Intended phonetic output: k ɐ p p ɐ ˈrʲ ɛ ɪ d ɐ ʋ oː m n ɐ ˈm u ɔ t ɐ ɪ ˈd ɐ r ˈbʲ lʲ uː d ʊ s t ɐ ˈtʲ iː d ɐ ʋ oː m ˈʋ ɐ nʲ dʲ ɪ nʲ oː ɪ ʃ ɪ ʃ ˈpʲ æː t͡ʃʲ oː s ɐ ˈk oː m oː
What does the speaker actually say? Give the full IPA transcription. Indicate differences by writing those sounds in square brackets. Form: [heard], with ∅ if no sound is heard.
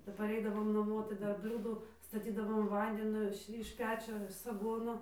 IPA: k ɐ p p ɐ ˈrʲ ɛ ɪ d ɐ ʋ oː m n ɐ ˈm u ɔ t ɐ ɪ ˈd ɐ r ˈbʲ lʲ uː d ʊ s t ɐ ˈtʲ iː d ɐ ʋ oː m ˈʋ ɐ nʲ dʲ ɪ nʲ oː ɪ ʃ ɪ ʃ ˈpʲ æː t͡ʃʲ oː s ɐ [ˈɡ] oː [n] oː